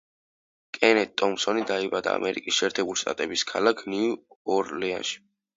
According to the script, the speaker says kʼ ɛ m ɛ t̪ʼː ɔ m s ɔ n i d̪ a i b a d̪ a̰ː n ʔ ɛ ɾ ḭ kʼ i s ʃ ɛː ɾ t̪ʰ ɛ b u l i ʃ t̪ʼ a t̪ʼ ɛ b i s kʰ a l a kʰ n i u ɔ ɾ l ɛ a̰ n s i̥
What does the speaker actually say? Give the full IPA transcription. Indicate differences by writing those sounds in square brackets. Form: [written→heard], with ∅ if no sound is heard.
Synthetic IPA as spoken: kʼ ɛ [m→n] ɛ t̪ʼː ɔ m s ɔ n i d̪ a i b a d̪ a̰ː [n→m] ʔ ɛ ɾ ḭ kʼ i s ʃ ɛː ɾ t̪ʰ ɛ b u l i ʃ t̪ʼ a t̪ʼ ɛ b i s kʰ a l a kʰ n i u ɔ ɾ l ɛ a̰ n [s→ʃ] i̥